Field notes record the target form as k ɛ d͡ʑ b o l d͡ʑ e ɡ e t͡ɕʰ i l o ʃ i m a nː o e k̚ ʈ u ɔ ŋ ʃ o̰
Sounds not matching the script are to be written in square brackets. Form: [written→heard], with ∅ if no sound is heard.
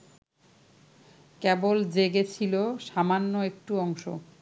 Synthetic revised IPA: k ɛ [d͡ʑ→∅] b o l d͡ʑ e ɡ e t͡ɕʰ i l o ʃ [i→a] m a nː o e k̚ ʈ u ɔ ŋ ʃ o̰